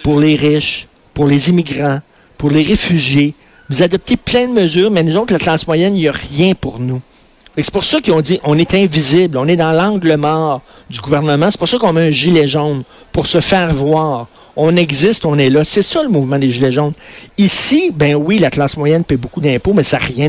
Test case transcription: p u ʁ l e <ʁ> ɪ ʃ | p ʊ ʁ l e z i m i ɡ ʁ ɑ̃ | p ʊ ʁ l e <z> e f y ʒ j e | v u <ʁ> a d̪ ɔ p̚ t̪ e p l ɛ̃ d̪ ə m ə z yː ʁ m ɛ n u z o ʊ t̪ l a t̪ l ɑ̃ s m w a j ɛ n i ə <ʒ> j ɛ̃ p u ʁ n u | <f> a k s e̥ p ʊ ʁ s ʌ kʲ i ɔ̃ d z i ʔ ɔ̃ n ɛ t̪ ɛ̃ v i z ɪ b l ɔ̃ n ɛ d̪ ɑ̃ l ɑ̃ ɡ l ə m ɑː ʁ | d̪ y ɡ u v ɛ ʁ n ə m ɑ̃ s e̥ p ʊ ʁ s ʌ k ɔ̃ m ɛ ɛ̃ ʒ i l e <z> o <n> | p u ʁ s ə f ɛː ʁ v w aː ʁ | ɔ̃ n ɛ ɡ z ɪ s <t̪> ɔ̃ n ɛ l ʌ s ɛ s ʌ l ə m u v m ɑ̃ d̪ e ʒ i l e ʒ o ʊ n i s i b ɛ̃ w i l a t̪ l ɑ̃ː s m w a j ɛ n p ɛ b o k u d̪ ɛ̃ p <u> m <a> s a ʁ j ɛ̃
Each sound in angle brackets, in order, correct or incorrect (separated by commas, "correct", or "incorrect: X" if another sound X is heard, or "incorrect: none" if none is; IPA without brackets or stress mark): correct, incorrect: ʁ, incorrect: z, incorrect: ʁ, correct, incorrect: ʒ, correct, correct, incorrect: o, incorrect: ɛ